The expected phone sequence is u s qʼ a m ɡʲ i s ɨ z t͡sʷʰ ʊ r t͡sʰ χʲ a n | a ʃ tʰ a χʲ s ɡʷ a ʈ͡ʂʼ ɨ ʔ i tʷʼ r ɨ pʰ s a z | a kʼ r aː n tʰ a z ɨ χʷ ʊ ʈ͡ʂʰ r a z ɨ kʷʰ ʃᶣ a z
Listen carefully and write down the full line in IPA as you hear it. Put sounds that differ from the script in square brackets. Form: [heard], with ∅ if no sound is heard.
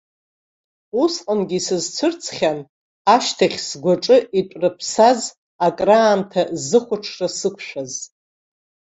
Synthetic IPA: u s qʼ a m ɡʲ i s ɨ z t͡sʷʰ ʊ r t͡sʰ χʲ a n | a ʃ tʰ a χʲ s ɡʷ a ʈ͡ʂʼ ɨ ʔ i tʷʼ r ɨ pʰ s a z | a kʼ r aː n tʰ a z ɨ χʷ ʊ ʈ͡ʂʰ r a [s] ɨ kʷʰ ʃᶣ a z